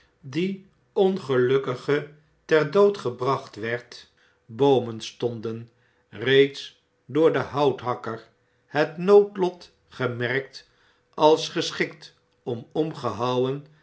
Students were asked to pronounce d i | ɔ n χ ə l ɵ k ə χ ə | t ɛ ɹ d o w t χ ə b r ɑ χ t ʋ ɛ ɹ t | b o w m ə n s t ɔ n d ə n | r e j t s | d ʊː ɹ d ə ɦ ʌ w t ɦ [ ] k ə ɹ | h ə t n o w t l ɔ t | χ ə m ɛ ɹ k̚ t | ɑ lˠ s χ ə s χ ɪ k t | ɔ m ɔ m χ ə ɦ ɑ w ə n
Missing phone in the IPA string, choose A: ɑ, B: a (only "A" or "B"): A